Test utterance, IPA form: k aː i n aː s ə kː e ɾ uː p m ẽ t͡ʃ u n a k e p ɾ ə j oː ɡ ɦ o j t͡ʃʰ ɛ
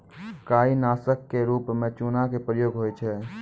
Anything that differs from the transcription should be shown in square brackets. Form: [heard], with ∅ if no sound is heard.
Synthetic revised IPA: k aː i n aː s ə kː e ɾ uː p m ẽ t͡ʃ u n a k e p ɾ ə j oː ɡ ɦ o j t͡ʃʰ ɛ

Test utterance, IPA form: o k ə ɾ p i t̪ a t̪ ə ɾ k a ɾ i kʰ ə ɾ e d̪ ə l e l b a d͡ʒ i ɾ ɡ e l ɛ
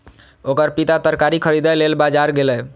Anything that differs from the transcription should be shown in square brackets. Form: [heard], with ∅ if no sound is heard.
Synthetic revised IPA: o k ə ɾ p i t̪ a t̪ ə ɾ k a ɾ i kʰ ə ɾ [i] d̪ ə l e l b a d͡ʒ [a] ɾ ɡ e l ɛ

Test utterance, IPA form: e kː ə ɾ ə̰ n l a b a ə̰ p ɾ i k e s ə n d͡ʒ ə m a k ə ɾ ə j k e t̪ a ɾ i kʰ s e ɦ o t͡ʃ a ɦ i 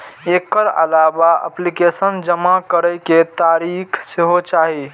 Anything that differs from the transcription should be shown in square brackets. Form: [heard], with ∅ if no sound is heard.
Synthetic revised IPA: e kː ə ɾ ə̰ [∅] l a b a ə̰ p [l] i k e s ə n d͡ʒ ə m a k ə ɾ ə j k e t̪ a ɾ i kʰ s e ɦ o t͡ʃ a ɦ i

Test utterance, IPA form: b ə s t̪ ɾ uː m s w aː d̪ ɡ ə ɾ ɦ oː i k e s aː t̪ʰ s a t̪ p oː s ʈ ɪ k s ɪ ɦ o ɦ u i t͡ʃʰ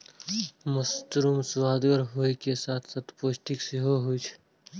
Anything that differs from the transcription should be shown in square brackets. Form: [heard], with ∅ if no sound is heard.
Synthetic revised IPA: [m] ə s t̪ ɾ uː m s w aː d̪ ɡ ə ɾ ɦ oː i k e s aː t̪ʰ s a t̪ p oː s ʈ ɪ k s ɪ ɦ o ɦ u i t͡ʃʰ

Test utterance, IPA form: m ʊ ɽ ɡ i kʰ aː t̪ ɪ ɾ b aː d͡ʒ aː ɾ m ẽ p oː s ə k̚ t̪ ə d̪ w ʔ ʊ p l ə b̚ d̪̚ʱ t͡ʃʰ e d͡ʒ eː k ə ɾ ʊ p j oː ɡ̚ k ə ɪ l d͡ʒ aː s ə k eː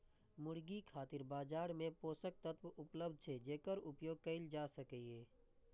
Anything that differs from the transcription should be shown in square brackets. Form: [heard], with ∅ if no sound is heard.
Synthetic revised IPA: m ʊ ɽ ɡ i kʰ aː t̪ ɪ ɾ b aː d͡ʒ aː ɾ m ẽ p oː s ə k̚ t̪ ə [t̪] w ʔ ʊ p l ə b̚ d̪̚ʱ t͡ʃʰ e d͡ʒ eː k ə ɾ ʊ p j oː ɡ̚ k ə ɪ l d͡ʒ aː s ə k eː

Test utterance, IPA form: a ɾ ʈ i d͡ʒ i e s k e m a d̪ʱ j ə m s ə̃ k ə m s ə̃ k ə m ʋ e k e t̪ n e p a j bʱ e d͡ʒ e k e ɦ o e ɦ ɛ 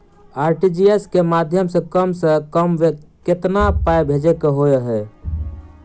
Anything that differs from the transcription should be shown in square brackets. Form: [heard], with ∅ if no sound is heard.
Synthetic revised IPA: a ɾ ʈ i d͡ʒ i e s k e m a d̪ʱ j ə m s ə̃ k ə m s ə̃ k ə m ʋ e k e t̪ n [a] p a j bʱ e d͡ʒ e k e ɦ o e ɦ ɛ

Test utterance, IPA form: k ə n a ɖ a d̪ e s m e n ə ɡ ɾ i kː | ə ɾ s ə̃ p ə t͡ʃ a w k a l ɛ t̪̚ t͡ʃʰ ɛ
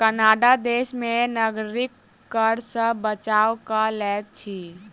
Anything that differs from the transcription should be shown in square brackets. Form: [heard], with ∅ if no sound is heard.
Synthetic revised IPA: k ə n a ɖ a d̪ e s m e n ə ɡ ɾ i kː | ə ɾ s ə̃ [b] ə t͡ʃ a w k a l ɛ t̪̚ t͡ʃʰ [i]

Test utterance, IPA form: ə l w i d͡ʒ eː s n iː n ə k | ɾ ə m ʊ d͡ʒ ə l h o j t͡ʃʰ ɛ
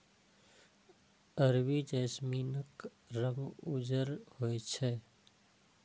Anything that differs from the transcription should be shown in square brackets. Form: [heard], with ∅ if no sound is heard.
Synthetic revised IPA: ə [ɾ] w i d͡ʒ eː s [m] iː n ə k | ɾ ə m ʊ d͡ʒ ə [ɾ] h o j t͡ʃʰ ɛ

